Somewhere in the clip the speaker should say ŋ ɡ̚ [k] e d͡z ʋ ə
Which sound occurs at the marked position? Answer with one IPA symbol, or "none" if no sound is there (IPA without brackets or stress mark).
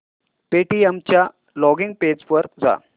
p